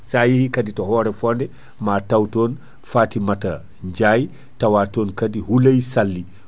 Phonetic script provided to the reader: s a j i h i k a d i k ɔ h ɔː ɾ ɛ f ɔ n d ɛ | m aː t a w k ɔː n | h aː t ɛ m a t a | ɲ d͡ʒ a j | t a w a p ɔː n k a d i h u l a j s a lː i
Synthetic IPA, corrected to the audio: s a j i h i k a d i t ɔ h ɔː ɾ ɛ f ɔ n d ɛ | m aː t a w t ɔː n | f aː t i m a t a | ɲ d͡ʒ a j | t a w a t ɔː n k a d i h u l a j s a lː i